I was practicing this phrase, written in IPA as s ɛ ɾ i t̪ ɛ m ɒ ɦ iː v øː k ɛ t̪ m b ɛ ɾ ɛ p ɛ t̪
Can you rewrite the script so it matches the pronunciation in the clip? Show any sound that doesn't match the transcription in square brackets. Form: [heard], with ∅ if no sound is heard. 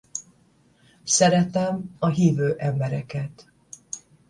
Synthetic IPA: s ɛ ɾ [ɛ] t̪ ɛ m ɒ ɦ iː v øː [ʔ] ɛ [∅] m b ɛ ɾ ɛ [k] ɛ t̪